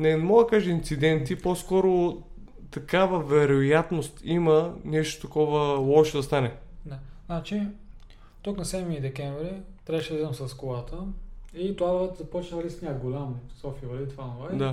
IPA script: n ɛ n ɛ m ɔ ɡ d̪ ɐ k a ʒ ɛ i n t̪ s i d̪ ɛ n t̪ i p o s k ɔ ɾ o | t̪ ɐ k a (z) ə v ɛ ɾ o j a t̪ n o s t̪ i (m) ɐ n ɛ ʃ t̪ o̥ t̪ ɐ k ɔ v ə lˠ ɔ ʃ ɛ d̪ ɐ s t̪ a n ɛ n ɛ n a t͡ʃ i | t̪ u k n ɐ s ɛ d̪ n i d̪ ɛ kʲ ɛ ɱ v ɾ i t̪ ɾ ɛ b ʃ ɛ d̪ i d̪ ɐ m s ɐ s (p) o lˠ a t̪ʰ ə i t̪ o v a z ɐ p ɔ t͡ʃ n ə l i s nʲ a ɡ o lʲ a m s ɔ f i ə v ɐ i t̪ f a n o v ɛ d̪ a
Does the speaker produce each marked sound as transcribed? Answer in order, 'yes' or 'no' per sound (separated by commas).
no, yes, no